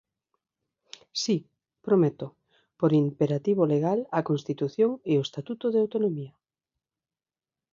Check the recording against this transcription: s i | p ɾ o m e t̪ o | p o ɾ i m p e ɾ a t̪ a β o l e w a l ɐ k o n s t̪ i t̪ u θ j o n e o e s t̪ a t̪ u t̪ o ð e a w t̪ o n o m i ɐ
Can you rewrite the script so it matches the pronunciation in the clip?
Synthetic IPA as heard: s i | p ɾ o m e t̪ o | p o ɾ i m p e ɾ a t̪ i β o l e ɣ a l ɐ k o n s t̪ i t̪ u θ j o ŋ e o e s t̪ a t̪ u t̪ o ð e a w t̪ o n o m i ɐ